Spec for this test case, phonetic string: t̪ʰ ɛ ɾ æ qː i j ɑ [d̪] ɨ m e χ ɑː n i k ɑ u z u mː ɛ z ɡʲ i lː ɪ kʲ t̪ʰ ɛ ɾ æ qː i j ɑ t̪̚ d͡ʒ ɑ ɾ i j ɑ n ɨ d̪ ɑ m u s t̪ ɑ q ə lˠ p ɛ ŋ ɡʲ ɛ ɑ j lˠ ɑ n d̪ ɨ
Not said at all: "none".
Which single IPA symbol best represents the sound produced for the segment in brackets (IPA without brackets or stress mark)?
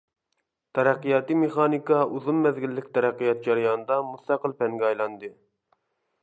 t̪